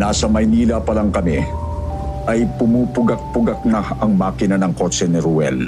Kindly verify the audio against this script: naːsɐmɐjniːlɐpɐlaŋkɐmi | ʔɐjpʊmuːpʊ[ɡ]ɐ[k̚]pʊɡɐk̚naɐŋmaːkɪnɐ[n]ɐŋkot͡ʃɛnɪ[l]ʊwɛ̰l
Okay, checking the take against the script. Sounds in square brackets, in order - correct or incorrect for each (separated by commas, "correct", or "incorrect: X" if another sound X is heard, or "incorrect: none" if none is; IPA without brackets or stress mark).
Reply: correct, correct, correct, incorrect: ɾ